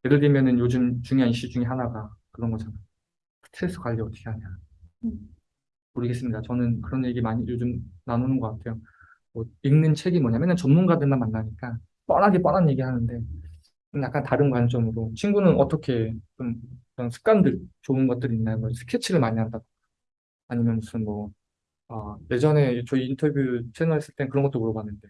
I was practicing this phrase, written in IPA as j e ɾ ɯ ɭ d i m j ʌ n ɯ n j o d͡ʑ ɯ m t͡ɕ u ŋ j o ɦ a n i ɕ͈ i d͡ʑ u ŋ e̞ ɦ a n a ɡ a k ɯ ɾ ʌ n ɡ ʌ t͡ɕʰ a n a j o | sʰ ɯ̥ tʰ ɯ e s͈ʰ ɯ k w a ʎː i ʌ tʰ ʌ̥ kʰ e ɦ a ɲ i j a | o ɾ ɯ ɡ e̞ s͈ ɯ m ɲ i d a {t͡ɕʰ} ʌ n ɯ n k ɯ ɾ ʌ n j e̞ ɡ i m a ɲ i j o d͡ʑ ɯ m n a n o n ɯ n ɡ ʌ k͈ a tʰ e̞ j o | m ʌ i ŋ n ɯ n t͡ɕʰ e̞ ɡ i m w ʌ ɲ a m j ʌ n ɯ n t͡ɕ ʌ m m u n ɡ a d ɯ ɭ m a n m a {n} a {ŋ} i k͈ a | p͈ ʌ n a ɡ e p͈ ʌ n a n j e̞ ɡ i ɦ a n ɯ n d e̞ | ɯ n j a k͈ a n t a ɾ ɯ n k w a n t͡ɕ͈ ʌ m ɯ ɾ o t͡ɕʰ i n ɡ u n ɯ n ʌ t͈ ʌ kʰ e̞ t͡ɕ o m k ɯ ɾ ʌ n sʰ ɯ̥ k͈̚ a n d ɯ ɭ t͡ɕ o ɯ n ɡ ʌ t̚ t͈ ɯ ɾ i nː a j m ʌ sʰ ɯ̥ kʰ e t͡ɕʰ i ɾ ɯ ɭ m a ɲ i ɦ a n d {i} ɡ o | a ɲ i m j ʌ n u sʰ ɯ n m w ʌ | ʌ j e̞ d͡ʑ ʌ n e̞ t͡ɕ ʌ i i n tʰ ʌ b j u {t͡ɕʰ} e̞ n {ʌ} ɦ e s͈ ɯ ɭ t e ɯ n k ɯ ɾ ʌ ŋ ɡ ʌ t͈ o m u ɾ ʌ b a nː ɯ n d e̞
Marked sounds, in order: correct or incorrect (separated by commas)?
incorrect, incorrect, incorrect, incorrect, correct, correct